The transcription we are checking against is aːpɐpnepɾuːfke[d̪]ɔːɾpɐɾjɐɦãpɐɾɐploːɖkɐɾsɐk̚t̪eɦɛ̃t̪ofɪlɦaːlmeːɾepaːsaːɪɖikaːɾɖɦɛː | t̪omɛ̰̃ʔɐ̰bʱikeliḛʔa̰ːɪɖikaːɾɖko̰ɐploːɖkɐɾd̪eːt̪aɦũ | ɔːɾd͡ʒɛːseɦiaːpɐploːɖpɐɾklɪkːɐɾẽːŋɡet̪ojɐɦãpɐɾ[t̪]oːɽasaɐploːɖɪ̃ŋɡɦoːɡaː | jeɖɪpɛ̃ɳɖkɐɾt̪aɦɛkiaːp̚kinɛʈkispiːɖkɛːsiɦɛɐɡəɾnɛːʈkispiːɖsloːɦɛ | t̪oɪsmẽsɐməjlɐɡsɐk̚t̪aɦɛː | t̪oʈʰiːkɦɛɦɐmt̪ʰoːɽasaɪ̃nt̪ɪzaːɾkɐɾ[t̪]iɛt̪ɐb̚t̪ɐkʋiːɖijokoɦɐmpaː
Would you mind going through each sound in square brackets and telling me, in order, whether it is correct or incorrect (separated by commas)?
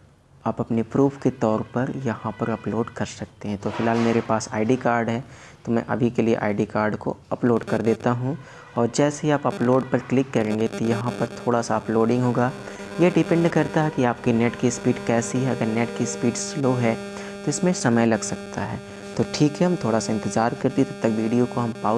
incorrect, incorrect, correct